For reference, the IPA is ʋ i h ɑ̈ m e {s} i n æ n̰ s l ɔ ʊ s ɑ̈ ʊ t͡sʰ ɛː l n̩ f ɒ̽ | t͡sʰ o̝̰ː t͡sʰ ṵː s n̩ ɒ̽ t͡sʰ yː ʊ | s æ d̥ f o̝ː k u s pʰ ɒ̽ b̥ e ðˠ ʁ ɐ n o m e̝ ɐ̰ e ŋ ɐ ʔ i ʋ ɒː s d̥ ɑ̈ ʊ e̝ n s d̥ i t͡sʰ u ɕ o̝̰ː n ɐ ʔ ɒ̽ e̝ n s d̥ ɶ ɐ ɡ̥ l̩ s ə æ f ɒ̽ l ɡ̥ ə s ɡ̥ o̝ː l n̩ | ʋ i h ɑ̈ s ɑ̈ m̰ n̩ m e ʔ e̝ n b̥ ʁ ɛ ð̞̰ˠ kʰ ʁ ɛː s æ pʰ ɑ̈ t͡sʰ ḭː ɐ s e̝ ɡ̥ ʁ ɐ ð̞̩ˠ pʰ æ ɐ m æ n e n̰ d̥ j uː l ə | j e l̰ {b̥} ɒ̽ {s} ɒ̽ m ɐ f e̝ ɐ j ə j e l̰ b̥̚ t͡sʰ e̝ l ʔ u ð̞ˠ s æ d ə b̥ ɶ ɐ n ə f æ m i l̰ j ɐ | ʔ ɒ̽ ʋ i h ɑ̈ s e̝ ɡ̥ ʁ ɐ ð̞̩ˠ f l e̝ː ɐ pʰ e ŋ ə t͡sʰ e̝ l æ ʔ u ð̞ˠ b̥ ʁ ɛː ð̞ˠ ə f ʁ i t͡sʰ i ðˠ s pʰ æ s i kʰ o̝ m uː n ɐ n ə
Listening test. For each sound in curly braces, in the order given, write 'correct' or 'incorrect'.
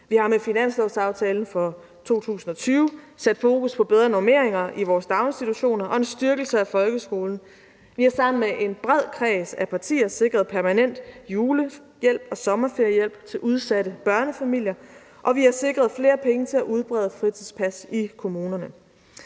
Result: incorrect: f, correct, correct

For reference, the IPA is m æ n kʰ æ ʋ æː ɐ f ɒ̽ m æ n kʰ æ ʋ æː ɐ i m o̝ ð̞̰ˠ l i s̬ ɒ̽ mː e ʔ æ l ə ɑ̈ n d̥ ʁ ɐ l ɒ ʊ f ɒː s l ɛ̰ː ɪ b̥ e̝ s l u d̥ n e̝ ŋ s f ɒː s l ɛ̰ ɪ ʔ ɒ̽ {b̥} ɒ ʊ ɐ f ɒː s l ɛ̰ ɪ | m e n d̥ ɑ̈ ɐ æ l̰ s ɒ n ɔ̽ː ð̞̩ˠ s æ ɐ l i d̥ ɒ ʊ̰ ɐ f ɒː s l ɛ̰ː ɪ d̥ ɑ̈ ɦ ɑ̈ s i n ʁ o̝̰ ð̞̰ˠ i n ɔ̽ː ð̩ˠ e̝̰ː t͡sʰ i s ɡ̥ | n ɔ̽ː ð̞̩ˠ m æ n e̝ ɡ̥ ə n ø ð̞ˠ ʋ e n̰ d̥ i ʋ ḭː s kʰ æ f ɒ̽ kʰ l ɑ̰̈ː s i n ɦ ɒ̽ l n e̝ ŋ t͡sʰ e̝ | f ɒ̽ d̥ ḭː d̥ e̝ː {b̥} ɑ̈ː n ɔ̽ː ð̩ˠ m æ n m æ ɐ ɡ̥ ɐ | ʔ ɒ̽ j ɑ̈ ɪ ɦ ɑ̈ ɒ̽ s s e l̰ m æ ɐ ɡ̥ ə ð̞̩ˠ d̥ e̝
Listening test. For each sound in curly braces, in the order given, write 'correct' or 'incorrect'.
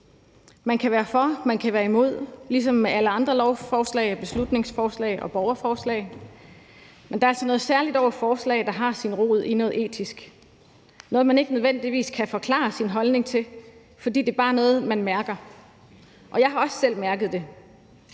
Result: correct, correct

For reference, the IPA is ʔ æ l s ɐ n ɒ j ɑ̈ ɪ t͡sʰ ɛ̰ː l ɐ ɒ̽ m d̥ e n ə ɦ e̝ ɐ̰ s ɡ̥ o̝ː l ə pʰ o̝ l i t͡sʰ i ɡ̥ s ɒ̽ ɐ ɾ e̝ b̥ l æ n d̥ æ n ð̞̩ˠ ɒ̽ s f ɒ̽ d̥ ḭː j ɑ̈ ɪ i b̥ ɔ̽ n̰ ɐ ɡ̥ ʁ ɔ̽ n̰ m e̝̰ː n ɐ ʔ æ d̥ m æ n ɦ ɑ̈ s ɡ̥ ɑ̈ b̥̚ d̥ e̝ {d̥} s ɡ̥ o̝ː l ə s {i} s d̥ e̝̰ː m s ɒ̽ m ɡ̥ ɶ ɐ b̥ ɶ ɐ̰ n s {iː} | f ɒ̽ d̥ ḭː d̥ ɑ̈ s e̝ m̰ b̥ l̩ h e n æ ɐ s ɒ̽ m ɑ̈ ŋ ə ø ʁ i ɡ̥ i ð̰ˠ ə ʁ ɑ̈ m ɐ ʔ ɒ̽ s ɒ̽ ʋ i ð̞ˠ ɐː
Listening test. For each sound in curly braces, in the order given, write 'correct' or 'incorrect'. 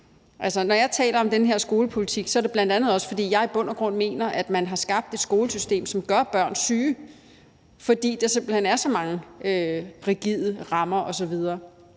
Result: correct, incorrect: y, incorrect: yː

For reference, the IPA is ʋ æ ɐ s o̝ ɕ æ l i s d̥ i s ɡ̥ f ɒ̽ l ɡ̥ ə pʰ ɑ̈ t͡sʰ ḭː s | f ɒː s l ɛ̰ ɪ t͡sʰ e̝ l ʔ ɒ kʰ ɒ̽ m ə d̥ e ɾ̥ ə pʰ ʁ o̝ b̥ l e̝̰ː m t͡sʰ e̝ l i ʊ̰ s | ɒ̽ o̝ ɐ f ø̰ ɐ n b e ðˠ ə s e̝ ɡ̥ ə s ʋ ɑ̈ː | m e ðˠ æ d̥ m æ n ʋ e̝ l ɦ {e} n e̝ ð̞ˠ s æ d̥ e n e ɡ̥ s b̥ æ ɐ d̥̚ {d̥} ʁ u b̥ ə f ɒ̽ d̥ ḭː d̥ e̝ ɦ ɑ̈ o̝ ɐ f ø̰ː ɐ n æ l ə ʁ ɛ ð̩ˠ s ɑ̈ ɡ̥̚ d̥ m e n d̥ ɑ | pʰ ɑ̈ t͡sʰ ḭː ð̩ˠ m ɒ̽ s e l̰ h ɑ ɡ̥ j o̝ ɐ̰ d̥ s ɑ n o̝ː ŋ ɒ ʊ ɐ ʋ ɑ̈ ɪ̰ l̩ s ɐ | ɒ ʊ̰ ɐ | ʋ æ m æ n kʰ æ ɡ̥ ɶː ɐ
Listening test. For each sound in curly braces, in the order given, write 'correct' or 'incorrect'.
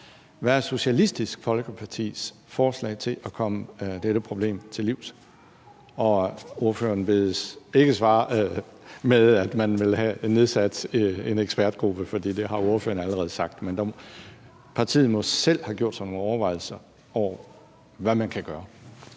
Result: incorrect: æ, incorrect: ɡ̥

